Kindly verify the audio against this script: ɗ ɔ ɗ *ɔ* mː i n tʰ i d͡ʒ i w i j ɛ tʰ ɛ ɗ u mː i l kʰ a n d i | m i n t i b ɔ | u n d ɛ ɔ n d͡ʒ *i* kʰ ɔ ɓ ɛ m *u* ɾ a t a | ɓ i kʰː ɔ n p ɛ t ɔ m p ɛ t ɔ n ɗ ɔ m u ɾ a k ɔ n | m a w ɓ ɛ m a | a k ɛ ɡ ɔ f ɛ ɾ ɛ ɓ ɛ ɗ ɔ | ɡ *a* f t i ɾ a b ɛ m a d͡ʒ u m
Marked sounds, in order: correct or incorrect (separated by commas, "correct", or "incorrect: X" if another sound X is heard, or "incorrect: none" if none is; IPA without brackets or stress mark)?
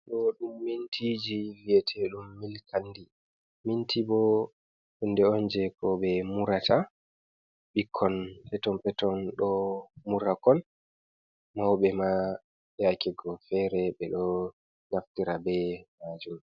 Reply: incorrect: u, incorrect: ɛ, correct, correct